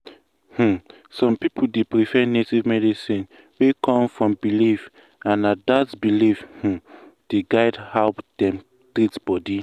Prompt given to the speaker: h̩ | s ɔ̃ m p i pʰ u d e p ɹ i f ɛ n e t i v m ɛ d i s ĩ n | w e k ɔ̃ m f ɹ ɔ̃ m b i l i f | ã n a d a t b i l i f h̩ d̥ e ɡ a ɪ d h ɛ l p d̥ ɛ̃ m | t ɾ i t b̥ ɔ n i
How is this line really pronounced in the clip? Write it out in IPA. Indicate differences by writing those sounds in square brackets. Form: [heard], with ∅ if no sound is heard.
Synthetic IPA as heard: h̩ | s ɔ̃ m p i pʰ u d e p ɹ i f ɛ n e t i v m ɛ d i s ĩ n | w e k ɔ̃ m f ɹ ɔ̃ m b i l i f | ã n a d a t b i l i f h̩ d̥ e ɡ a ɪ d h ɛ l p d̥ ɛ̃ m | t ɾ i t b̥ ɔ [d] i